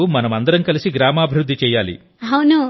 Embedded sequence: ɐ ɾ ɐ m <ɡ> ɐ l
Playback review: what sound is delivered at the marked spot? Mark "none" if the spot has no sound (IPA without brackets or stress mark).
k